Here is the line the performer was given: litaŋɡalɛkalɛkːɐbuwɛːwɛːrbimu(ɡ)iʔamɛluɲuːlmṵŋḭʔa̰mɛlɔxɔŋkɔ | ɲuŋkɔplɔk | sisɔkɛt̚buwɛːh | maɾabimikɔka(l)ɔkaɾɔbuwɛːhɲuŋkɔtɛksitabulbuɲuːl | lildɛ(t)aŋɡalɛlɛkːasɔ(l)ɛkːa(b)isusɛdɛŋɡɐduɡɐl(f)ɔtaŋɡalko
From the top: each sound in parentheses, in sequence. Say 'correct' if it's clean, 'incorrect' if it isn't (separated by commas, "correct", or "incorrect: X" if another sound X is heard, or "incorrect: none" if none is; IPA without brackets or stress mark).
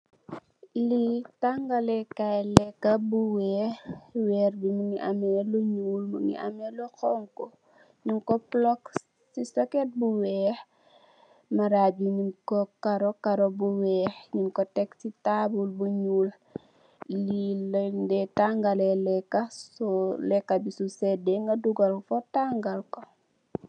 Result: incorrect: ŋ, incorrect: ɾ, correct, correct, correct, correct